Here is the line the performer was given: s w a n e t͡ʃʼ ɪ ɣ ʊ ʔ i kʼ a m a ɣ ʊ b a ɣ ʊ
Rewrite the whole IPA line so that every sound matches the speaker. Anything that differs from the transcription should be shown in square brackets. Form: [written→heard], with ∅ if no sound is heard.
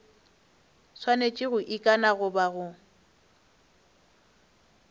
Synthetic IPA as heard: s w a n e t͡ʃʼ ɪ ɣ ʊ ʔ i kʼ a [m→n] a ɣ ʊ b a ɣ ʊ